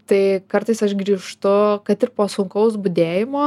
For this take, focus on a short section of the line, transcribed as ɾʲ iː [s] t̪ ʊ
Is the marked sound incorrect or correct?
incorrect